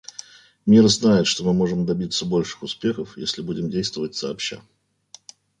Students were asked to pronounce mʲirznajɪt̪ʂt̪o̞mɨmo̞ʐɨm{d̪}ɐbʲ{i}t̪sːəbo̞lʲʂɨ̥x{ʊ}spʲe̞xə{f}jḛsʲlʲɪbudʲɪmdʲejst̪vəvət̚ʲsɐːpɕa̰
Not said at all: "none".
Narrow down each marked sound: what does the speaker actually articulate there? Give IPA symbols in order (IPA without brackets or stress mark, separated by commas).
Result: d̪, i, ʊ, f